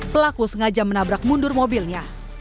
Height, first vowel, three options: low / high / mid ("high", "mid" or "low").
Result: mid